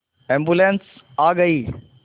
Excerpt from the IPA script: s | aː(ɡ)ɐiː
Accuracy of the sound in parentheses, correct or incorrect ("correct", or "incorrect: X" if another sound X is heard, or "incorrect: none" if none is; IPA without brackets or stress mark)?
correct